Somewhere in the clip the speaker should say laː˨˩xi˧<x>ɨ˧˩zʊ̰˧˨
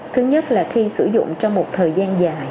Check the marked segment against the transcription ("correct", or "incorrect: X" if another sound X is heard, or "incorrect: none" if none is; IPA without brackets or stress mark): incorrect: s